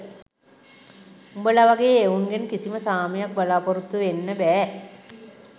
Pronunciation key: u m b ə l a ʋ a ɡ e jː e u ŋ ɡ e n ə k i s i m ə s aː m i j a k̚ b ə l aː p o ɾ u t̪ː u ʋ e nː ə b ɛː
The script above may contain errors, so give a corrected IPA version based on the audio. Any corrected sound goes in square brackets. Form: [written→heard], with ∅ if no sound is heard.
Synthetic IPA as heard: u m b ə l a ʋ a ɡ e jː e u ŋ ɡ e n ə k i s i m ə s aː m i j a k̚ b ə l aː p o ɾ u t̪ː u ʋ e nː ə b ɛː